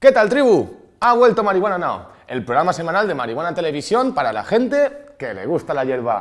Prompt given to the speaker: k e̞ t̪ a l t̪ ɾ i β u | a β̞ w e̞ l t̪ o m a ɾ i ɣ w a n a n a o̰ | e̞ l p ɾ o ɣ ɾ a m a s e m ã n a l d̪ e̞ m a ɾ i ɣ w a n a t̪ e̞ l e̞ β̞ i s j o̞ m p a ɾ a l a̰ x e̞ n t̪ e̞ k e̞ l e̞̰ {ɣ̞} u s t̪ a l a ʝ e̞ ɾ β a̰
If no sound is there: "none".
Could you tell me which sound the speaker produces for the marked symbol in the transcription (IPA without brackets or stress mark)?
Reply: ɣ̞